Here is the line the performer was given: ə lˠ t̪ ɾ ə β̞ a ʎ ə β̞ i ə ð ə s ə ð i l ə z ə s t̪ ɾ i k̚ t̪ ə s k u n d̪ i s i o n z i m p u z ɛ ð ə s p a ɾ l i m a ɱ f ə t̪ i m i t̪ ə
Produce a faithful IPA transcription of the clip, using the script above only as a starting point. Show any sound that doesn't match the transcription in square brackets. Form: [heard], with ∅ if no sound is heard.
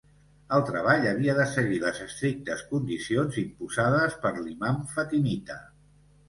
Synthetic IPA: ə lˠ t̪ ɾ ə β̞ a ʎ ə β̞ i ə ð ə s ə [ɣ] i l ə z ə s t̪ ɾ i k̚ t̪ ə s k u n d̪ i s i o n z i m p u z [a] ð ə s p [ə] ɾ l i m a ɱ f ə t̪ i m i t̪ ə

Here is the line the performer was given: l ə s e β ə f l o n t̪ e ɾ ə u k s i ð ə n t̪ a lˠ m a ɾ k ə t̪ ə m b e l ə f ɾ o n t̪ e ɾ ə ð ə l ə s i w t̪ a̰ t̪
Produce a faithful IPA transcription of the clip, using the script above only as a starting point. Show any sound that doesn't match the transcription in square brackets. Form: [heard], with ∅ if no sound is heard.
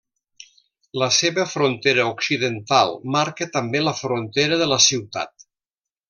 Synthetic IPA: l ə s e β ə f [ɾ] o n t̪ e ɾ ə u k s i ð ə n t̪ a lˠ m a ɾ k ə t̪ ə m b e l ə f ɾ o n t̪ e ɾ ə ð ə l ə s i w t̪ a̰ t̪

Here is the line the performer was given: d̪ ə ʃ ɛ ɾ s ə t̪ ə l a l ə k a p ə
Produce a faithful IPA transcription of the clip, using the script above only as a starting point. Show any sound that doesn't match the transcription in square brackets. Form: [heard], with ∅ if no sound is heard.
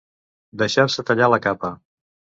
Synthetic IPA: d̪ ə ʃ [a] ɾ s ə t̪ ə [ʎ] a l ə k a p ə

